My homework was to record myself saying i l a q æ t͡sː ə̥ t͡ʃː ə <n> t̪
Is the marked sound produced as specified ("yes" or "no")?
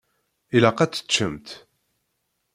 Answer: no